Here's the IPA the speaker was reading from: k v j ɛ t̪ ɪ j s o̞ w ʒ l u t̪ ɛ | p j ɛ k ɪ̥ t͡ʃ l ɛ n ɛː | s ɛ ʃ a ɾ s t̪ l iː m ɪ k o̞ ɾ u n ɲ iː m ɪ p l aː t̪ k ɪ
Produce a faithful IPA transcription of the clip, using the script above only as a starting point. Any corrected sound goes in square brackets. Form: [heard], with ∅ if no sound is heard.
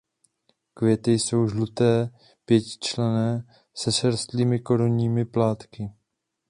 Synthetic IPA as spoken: k v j ɛ t̪ ɪ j s o̞ w ʒ l u t̪ [ɛː] | p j ɛ [c] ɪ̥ t͡ʃ l ɛ n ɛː | s ɛ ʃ [ɛ] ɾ s t̪ l iː m ɪ k o̞ ɾ u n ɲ iː m ɪ p l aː t̪ k ɪ